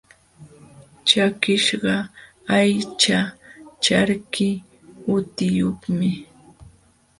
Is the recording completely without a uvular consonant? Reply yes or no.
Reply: no